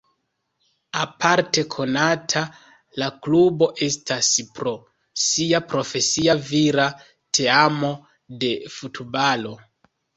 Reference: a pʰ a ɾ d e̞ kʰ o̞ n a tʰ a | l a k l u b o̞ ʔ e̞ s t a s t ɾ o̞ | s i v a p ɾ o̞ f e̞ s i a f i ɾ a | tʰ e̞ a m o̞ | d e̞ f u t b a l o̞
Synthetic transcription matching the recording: a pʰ a ɾ t e̞ kʰ o̞ n a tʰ a | l a k l u b o̞ ʔ e̞ s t a s p ɾ o̞ | s i a p ɾ o̞ f e̞ s i a v i ɾ a | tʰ e̞ a m o̞ | d e̞ f u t b a l o̞